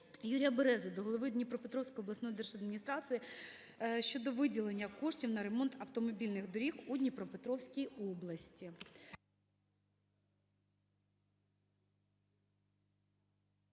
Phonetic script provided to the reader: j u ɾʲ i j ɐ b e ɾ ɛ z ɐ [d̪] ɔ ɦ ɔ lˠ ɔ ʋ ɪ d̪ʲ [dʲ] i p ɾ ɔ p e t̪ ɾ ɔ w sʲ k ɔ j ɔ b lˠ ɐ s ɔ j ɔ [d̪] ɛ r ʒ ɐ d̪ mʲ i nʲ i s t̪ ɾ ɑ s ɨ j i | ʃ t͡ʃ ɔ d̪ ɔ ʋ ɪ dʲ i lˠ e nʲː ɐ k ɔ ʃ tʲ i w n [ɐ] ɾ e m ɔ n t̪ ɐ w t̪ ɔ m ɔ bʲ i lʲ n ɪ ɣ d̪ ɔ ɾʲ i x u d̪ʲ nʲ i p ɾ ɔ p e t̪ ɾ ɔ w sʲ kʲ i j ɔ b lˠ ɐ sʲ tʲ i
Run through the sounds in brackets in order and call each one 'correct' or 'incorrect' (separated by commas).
correct, incorrect, correct, correct